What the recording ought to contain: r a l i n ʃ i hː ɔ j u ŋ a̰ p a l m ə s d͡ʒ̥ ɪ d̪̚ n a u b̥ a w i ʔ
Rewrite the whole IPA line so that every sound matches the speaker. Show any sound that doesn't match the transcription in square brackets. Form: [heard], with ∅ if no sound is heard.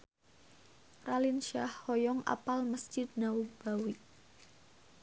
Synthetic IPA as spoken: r a l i n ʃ [a] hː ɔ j [ɔ] ŋ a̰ p a l m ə s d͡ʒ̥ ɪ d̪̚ n a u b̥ a w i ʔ